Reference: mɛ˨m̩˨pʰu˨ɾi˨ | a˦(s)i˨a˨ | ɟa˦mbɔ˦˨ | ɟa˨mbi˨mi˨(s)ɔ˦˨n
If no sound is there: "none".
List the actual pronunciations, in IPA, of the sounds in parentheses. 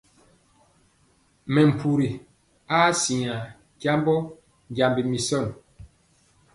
s, s

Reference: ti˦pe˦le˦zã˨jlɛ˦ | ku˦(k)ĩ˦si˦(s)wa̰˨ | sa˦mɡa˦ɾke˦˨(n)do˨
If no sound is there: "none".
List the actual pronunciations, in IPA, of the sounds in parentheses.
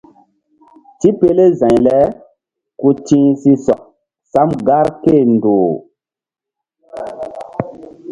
t, s, n

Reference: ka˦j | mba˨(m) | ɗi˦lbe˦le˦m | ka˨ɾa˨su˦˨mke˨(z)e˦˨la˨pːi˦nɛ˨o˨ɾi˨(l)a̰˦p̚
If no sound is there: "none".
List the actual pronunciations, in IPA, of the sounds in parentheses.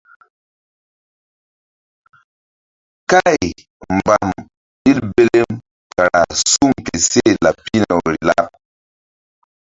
m, s, l

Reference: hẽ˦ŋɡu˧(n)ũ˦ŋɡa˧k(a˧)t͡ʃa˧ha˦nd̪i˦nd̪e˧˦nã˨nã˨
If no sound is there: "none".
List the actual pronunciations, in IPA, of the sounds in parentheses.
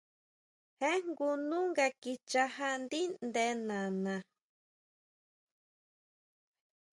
n, i˧

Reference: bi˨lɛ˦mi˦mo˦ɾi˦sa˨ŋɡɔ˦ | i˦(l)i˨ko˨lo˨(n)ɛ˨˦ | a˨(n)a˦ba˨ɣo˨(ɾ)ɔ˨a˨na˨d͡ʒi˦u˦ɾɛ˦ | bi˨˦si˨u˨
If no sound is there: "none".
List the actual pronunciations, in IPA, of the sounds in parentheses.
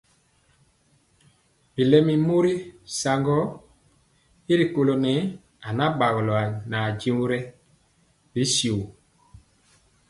ɾ, n, n, l

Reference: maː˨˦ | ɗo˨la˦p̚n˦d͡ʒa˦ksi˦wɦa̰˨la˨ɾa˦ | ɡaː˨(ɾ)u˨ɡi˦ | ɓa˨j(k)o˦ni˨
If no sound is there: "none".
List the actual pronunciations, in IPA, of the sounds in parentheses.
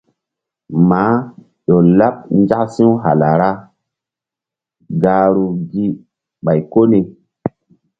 ɾ, k

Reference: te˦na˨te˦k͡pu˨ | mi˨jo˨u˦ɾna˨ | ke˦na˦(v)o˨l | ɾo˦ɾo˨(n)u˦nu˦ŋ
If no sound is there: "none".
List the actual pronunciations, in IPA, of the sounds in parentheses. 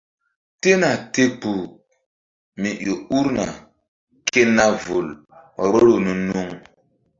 v, n

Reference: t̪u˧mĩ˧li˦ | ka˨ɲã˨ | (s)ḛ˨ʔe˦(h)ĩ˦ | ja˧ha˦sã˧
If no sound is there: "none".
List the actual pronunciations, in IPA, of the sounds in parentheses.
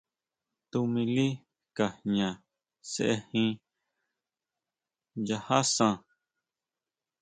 s, h

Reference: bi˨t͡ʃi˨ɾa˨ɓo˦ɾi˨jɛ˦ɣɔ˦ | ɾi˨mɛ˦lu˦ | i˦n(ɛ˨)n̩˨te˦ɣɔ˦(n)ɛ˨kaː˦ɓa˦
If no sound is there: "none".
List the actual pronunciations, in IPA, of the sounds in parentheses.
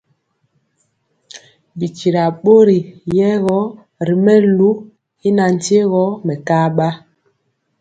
a˨, m

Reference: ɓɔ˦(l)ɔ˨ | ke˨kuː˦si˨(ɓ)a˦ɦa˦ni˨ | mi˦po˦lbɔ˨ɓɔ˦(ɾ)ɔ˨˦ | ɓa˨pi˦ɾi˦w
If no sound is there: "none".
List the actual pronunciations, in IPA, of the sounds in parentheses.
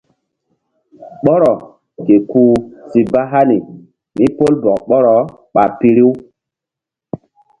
ɾ, b, ɾ

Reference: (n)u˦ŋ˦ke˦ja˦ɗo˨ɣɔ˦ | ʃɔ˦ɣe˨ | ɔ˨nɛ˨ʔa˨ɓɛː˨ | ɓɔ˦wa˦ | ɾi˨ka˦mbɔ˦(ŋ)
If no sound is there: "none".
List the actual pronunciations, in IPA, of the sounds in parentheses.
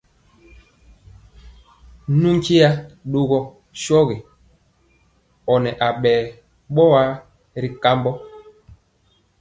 n, none

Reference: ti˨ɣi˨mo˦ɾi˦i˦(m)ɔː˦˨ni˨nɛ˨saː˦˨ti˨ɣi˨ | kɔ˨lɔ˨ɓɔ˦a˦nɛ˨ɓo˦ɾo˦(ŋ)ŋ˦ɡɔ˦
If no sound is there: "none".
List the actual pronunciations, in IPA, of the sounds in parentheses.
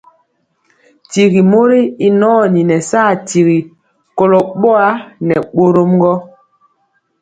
n, m

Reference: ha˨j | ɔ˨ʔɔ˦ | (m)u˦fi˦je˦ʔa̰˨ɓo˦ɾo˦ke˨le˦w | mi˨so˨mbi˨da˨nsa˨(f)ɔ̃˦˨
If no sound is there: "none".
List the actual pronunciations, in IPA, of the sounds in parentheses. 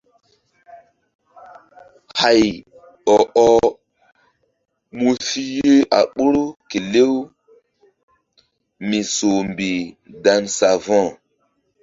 m, v

